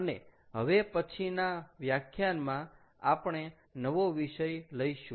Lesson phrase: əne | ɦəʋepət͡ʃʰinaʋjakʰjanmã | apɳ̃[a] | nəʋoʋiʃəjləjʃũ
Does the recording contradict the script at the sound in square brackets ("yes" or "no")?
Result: yes